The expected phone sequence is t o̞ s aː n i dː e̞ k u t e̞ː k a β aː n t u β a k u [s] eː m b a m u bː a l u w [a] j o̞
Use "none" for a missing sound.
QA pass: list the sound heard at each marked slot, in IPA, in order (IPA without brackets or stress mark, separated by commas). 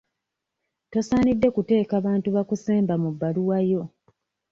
s, a